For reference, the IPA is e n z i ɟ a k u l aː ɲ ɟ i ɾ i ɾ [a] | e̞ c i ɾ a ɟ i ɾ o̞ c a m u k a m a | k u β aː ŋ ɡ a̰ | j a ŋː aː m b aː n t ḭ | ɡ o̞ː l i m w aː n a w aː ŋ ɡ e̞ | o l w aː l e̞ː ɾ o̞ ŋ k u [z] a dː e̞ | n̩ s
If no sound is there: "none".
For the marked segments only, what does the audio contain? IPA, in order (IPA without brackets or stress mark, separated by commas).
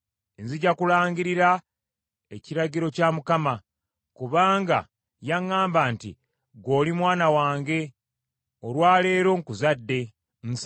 a, z